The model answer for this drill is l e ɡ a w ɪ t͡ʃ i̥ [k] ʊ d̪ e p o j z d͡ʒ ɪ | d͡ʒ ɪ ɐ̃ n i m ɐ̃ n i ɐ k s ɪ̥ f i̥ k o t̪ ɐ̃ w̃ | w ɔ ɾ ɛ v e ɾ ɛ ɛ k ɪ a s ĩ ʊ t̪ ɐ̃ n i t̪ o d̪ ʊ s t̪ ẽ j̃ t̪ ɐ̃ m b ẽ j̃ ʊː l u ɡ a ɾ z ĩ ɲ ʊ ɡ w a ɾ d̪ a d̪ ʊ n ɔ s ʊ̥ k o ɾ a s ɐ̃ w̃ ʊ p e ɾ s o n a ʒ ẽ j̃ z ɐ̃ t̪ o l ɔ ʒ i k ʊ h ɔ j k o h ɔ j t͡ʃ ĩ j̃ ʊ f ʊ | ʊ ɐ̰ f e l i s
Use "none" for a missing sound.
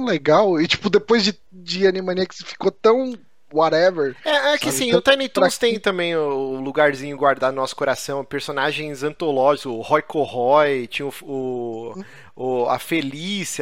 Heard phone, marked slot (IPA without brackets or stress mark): p